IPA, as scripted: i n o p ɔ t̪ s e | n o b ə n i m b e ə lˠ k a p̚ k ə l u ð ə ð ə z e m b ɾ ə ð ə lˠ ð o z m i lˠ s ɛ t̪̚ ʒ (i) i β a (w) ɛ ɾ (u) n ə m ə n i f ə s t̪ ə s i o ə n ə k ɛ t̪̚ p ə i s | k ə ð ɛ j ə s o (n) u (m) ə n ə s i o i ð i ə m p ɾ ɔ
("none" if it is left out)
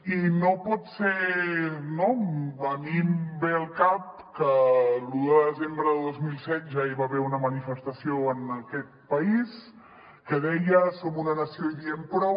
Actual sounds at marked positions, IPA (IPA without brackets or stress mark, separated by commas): a, β, u, m, n